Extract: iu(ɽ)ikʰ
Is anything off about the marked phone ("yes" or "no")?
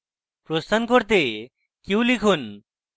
yes